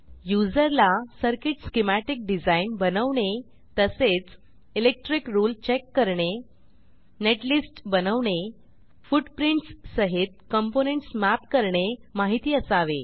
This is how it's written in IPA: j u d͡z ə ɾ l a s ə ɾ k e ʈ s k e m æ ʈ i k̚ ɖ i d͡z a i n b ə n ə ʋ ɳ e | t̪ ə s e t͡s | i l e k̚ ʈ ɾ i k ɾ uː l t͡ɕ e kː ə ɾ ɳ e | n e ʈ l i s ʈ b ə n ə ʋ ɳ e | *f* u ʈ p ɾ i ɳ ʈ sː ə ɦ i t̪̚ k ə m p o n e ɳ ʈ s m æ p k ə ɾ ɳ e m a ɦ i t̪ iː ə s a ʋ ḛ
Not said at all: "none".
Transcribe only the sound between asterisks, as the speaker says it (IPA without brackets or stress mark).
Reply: f